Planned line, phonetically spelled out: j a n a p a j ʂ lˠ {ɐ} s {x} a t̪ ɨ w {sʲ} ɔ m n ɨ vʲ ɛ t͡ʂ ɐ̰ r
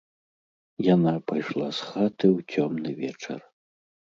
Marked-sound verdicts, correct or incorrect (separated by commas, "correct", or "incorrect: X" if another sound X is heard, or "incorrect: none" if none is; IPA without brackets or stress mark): incorrect: a, correct, incorrect: t͡sʲ